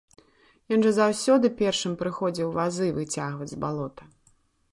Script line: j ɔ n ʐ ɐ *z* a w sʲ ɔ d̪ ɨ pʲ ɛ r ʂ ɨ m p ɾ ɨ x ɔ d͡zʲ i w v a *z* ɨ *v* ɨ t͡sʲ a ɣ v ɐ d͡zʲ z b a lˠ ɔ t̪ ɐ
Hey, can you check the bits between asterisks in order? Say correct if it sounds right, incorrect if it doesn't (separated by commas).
correct, correct, correct